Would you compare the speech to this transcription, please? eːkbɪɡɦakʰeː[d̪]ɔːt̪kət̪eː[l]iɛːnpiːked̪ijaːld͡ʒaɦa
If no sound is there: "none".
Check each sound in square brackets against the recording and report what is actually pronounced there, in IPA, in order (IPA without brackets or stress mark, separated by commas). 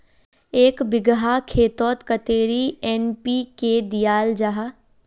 t̪, ɾ